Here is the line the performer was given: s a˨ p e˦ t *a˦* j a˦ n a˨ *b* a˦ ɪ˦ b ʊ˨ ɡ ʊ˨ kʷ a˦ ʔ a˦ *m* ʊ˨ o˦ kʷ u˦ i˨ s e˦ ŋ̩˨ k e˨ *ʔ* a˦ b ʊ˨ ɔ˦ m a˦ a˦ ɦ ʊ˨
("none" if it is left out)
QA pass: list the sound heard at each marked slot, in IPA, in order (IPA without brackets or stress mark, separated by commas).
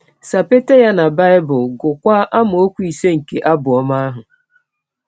e˦, b, m, ʔ